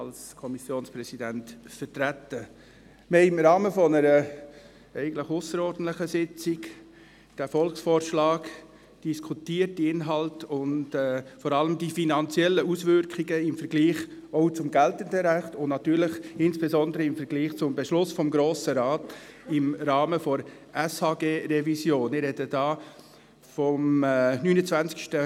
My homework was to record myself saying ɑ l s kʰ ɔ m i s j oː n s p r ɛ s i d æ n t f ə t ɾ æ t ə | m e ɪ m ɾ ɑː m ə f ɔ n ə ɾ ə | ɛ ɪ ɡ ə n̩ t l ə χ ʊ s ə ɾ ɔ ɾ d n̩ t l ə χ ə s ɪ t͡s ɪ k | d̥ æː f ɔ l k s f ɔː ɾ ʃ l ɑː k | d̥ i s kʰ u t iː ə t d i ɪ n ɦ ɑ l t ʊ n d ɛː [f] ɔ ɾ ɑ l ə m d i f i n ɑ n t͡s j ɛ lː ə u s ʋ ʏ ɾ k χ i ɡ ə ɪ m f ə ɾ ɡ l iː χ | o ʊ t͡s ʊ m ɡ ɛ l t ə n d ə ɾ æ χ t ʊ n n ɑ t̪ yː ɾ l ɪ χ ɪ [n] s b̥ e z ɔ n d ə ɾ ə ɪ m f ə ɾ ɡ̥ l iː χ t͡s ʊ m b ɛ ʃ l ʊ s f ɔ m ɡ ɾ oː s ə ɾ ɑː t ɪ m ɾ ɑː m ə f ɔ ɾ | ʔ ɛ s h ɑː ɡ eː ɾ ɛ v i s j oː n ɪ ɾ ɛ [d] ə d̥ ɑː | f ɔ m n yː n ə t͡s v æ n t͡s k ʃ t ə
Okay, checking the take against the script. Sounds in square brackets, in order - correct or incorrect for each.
correct, correct, correct

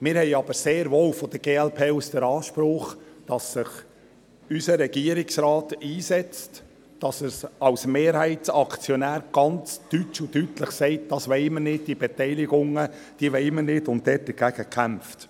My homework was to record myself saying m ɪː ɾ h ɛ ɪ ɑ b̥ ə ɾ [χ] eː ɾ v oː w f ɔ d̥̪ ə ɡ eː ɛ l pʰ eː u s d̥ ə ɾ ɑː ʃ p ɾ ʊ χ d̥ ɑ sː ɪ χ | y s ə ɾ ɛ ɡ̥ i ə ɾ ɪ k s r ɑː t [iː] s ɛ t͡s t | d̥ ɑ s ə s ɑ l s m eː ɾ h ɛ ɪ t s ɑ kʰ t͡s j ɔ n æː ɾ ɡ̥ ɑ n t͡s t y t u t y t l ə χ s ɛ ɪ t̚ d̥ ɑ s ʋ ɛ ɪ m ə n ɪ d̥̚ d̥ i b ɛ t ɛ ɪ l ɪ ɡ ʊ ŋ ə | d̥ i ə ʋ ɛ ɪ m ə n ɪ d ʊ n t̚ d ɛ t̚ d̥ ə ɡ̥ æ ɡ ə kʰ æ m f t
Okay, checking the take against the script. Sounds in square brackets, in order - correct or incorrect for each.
incorrect, correct

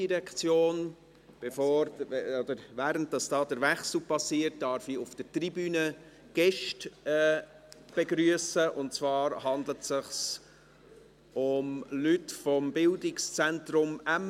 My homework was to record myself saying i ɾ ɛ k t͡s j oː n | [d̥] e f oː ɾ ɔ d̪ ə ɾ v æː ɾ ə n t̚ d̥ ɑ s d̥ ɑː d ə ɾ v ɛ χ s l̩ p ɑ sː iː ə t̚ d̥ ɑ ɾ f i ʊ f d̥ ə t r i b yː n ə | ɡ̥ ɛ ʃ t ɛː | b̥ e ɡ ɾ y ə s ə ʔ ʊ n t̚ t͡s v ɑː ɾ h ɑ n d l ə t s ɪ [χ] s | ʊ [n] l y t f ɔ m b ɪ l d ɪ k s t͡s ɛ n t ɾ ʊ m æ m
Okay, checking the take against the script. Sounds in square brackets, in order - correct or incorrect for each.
incorrect, correct, incorrect

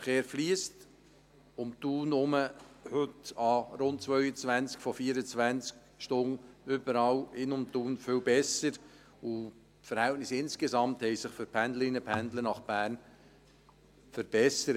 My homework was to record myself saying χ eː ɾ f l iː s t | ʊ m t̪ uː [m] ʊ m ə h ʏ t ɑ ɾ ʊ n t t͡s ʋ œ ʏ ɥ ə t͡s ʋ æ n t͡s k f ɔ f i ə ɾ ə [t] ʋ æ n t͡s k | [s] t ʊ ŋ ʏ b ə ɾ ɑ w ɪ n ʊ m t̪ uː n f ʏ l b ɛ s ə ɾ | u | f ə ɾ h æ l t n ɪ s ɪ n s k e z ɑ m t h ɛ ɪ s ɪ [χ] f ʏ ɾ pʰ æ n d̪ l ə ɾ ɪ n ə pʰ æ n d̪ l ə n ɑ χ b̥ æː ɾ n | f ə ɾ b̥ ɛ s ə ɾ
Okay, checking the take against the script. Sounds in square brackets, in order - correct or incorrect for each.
incorrect, incorrect, incorrect, correct

